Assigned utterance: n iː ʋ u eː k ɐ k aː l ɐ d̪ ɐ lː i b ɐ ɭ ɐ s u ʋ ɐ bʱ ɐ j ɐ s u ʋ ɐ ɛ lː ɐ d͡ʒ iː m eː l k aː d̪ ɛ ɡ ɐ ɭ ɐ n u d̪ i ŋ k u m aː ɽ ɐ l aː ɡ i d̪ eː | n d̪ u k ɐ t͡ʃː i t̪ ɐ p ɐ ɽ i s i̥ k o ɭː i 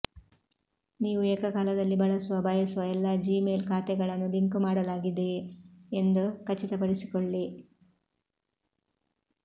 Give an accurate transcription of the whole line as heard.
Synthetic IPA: n iː ʋ u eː k ɐ k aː l ɐ d̪ ɐ lː i b ɐ ɭ ɐ s u ʋ ɐ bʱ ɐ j ɐ s u ʋ ɐ ɛ lː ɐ d͡ʒ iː m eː l k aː t̪ ɛ ɡ ɐ ɭ ɐ nː u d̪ i ŋ k u m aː ɽ ɐ l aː ɡ i d̪ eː | n d̪ u k ɐ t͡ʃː i t̪ ɐ p ɐ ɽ i s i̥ k o ɭː i